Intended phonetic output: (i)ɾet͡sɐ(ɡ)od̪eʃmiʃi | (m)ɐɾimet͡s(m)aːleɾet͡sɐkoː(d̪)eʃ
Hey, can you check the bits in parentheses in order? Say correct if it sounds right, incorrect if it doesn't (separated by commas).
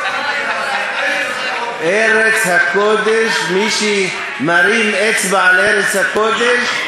incorrect, incorrect, correct, incorrect, correct